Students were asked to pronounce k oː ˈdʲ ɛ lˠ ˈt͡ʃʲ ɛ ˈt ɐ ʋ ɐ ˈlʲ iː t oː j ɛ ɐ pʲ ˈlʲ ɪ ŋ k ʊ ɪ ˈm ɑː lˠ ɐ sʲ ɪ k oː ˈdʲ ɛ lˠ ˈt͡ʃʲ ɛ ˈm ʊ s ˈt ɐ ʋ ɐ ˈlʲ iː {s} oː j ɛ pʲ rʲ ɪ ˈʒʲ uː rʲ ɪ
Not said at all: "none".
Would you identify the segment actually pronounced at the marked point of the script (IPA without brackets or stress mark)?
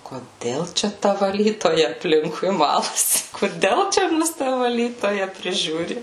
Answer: t